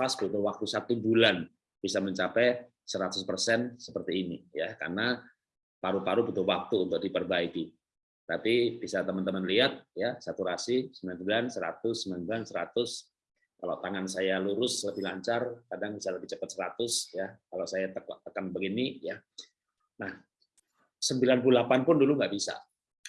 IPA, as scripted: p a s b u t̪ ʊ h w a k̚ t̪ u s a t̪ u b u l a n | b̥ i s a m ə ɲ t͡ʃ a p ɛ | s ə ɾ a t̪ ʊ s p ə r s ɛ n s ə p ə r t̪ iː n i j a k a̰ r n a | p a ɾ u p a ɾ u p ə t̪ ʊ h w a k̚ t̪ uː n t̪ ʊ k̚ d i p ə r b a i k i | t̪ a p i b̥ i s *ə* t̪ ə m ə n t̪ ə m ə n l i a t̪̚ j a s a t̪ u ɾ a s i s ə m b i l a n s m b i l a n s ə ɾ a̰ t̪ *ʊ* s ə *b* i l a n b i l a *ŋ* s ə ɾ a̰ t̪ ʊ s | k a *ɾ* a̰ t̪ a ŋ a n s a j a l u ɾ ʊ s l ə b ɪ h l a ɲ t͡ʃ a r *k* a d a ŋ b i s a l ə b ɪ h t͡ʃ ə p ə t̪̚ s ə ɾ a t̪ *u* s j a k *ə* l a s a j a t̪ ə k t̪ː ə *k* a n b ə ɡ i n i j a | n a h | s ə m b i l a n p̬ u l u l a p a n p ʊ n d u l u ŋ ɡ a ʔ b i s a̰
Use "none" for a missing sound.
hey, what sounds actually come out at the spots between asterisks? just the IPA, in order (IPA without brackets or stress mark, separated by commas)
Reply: a, ʊ, m, n, l, k, ʊ, a, k